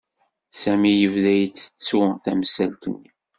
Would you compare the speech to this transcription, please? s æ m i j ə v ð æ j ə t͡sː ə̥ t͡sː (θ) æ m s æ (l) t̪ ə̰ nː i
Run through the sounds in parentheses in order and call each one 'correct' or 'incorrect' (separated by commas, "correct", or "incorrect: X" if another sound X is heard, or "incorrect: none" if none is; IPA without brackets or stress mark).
correct, correct